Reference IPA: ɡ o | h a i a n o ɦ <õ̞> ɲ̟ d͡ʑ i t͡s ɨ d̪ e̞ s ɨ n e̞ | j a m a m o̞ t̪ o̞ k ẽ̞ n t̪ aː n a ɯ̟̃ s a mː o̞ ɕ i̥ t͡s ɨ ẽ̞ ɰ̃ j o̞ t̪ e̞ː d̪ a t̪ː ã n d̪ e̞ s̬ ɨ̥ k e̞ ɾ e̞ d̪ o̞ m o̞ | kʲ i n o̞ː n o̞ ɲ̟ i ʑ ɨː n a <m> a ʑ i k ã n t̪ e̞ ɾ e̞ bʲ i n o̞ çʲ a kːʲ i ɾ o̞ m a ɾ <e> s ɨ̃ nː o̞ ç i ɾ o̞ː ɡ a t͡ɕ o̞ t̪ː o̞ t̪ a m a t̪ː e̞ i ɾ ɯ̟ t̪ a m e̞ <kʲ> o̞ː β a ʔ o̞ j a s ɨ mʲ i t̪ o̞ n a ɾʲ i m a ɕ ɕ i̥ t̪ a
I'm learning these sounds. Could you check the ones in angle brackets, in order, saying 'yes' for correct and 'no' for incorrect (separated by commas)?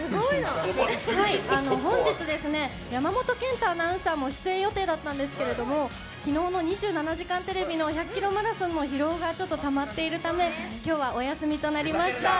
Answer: yes, no, no, yes